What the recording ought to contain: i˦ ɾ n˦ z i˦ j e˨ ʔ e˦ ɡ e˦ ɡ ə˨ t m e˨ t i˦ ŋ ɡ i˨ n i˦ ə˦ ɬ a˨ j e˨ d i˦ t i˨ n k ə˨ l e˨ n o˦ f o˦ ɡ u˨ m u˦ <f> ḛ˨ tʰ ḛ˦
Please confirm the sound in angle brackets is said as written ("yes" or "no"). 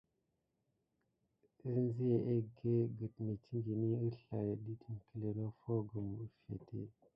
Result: yes